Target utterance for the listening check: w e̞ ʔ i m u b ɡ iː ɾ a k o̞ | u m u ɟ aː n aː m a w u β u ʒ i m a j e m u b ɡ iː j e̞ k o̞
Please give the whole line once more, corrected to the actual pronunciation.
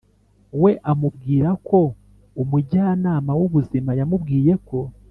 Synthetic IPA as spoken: w e̞ ʔ a m u b ɡ iː ɾ a k o̞ | u m u ɟ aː n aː m a w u β u z i m a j a m u b ɡ iː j e̞ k o̞